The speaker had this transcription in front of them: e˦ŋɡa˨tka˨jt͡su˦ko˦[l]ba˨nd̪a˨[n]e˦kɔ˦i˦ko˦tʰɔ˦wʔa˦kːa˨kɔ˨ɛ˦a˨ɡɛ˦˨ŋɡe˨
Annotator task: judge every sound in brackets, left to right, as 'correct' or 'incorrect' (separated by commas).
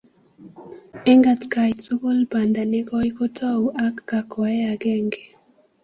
correct, correct